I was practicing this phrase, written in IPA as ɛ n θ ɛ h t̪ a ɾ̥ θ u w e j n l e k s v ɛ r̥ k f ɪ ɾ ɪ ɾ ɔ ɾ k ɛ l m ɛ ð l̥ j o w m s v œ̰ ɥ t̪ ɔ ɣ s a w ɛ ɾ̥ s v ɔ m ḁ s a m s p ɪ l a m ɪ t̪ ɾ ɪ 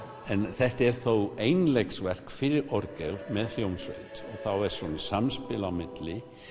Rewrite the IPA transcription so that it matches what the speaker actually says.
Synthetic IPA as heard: ɛ n θ ɛ h t̪ ɛ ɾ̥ θ o w e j n l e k s v ɛ r̥ k f ɪ ɾ ɪ ɾ ɔ ɾ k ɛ l m ɛ ð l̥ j o w m s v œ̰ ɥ t̪ ɔ ɣ θ a w ɛ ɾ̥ s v ɔ n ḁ s a m s p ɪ l a m ɪ t̪ l ɪ